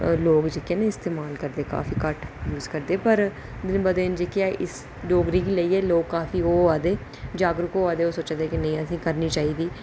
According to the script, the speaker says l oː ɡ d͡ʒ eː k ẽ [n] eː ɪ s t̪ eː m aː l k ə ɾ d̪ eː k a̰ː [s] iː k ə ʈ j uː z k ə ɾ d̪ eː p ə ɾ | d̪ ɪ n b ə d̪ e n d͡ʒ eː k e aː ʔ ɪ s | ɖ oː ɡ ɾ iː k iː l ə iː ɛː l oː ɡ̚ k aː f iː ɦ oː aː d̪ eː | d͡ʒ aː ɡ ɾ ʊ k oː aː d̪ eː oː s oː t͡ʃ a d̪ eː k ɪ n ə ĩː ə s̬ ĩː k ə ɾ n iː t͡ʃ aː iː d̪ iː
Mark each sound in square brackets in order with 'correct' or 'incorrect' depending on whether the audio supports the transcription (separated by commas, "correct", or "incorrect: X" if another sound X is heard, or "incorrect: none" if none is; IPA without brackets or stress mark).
correct, incorrect: f